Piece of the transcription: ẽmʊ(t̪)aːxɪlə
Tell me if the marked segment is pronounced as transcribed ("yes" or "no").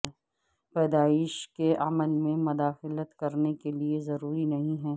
no